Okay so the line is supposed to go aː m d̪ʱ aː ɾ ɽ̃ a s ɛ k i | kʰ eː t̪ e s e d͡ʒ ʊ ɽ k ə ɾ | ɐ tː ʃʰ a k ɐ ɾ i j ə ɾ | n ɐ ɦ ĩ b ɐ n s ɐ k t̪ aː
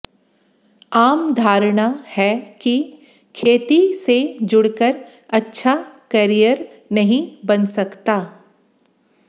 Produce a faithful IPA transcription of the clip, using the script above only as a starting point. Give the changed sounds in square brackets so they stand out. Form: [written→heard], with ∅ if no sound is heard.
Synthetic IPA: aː m d̪ʱ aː ɾ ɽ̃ a [s→h] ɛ k i | kʰ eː t̪ [e→i] s e d͡ʒ ʊ ɽ k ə ɾ | ɐ tː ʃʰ a k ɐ ɾ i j ə ɾ | n ɐ ɦ ĩ b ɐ n s ɐ k t̪ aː